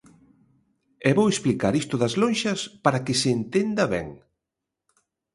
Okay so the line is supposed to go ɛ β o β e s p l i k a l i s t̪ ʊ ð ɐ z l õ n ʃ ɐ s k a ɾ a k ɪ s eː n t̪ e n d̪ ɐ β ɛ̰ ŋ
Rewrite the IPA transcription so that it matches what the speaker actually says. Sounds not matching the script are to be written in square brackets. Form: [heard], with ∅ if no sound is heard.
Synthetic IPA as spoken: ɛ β o [w] e s p l i k a [ɾ] i s t̪ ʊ ð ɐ z l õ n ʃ ɐ s [p] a ɾ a k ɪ s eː n t̪ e n d̪ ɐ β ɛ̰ ŋ